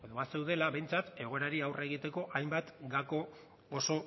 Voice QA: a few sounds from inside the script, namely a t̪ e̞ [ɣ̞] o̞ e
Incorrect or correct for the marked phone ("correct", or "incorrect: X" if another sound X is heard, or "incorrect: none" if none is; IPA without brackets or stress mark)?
correct